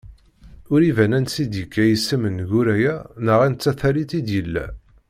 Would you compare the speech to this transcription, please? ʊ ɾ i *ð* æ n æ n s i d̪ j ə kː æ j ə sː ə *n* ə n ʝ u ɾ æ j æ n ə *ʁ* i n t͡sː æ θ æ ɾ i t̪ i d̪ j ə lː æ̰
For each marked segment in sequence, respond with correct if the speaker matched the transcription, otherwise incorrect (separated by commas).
incorrect, incorrect, correct